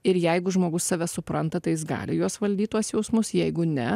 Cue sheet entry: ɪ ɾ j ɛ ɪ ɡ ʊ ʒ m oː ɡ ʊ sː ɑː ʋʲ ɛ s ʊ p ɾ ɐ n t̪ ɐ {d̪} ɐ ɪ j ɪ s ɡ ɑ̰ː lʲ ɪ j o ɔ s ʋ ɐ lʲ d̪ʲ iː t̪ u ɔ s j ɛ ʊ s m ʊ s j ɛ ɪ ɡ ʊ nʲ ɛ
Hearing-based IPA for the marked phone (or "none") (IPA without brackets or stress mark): t̪